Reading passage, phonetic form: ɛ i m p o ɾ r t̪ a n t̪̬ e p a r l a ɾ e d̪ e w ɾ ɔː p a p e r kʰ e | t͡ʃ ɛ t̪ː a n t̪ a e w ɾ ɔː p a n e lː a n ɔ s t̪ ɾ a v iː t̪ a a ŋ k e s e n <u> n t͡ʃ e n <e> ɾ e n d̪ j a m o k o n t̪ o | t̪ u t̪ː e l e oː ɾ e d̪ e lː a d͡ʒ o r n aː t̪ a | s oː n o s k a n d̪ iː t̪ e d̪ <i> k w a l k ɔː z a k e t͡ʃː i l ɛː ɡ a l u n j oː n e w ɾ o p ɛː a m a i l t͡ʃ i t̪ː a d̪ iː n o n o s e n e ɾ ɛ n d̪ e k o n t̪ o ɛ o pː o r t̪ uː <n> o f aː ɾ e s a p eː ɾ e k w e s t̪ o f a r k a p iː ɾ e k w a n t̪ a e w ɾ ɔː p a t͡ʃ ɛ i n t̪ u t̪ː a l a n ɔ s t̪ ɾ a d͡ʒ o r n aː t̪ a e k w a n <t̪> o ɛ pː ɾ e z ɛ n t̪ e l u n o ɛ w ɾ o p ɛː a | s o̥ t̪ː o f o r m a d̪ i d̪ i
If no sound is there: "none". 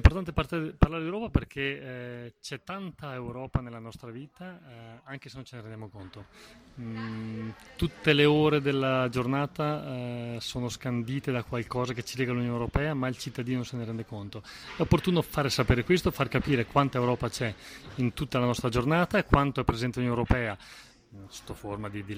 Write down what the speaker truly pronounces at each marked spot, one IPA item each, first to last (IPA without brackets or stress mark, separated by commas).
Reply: o, e, a, n, t̪